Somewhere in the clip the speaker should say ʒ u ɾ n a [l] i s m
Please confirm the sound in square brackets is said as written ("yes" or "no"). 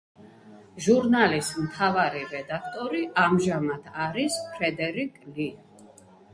yes